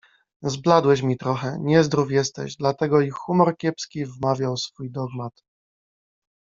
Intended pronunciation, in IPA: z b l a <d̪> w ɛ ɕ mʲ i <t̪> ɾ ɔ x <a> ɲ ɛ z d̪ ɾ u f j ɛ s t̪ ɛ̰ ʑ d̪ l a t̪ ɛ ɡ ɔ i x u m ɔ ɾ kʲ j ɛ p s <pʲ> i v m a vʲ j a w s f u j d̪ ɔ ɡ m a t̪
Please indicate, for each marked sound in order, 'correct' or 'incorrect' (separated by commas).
correct, correct, incorrect, incorrect